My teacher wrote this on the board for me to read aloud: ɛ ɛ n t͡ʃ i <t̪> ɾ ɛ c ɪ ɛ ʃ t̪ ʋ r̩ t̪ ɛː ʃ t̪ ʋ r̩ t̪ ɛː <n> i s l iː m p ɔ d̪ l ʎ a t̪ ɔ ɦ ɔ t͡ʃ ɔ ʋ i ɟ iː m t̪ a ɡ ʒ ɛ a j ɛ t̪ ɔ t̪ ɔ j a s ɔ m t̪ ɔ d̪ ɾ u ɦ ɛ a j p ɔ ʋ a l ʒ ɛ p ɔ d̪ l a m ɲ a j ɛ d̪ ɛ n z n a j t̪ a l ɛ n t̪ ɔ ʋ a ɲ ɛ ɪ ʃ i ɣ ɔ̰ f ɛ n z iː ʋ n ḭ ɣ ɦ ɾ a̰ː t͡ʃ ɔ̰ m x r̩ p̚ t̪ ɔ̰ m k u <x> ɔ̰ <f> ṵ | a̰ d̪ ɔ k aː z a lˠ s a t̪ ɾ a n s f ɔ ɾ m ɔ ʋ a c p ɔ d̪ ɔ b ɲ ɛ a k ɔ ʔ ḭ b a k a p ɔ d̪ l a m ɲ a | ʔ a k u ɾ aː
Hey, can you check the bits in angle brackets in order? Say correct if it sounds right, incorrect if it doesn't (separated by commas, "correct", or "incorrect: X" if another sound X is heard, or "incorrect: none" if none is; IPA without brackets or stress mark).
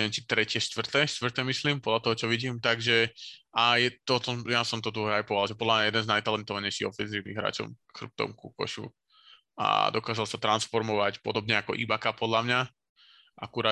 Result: correct, incorrect: m, incorrect: k, incorrect: ʃ